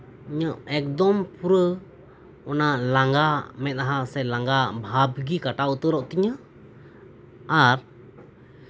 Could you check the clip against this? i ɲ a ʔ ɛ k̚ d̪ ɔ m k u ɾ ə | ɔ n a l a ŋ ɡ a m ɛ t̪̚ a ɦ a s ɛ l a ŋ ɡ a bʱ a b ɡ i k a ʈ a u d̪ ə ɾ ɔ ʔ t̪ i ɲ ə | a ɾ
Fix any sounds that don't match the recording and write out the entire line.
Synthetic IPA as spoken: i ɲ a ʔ ɛ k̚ d̪ ɔ m p u ɾ ə | ɔ n a l a ŋ ɡ a m ɛ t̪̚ a ɦ a s ɛ l a ŋ ɡ a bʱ a b ɡ i k a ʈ a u t̪ ə ɾ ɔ ʔ t̪ i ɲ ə | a ɾ